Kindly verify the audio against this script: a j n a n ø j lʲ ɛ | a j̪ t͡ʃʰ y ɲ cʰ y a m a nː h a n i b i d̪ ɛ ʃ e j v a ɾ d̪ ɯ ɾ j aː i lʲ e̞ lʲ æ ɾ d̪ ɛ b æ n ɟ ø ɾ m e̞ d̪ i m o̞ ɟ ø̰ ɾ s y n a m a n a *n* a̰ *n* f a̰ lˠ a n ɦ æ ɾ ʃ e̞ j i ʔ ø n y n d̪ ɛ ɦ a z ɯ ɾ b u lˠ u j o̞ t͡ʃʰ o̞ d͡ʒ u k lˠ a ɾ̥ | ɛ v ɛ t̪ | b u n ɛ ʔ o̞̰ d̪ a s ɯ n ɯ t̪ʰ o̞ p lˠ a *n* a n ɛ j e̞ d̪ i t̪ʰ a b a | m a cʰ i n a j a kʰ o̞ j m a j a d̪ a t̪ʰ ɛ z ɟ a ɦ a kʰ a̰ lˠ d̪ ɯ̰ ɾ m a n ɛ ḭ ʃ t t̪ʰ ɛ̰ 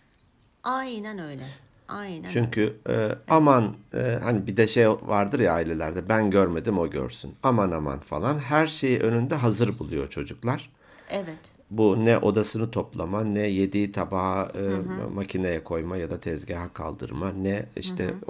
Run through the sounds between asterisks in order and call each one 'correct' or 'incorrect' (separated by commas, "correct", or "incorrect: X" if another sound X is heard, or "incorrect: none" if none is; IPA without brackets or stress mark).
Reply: incorrect: m, correct, incorrect: m